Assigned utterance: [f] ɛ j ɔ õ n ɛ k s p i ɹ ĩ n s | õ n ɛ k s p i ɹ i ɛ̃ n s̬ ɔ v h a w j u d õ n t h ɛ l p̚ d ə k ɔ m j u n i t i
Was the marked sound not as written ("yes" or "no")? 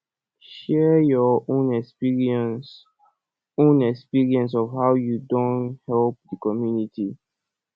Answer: yes